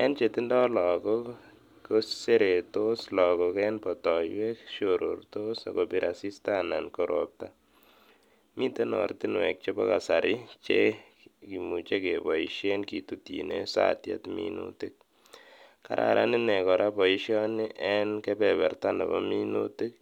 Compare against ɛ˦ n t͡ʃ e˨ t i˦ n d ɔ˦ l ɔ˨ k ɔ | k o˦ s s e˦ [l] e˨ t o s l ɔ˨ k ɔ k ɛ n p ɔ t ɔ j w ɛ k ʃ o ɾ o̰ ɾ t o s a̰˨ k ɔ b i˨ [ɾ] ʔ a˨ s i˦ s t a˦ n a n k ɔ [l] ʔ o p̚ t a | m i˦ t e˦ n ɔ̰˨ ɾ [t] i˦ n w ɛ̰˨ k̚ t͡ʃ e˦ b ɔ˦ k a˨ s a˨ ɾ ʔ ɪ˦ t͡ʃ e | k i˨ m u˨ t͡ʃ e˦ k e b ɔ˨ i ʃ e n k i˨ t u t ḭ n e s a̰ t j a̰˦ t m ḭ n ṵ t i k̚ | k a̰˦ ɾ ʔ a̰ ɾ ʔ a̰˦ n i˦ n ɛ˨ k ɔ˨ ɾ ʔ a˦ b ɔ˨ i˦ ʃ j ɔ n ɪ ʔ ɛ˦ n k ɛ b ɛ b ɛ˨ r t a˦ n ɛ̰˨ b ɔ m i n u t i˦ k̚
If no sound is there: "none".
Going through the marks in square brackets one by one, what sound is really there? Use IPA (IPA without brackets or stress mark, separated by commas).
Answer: ɾ, ɾ, ɾ, t